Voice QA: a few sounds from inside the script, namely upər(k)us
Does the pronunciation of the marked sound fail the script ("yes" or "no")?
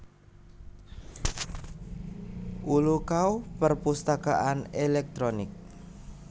yes